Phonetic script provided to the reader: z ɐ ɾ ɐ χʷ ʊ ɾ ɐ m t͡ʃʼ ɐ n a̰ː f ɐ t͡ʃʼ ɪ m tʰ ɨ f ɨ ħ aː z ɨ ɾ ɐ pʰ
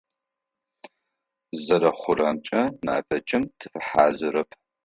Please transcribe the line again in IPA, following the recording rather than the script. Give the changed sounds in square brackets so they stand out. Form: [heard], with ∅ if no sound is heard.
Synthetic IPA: z ɐ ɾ ɐ χʷ ʊ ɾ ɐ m t͡ʃʼ ɐ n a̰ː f ɐ t͡ʃʼ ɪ m tʰ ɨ f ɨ ħ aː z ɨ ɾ ɐ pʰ